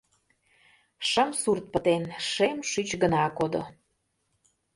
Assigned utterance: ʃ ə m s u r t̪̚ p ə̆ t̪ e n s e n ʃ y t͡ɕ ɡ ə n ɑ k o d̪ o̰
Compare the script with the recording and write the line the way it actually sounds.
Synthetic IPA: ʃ ə m s u r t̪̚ p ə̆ t̪ e n ʃ e m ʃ y t͡ɕ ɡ ə n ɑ k o d̪ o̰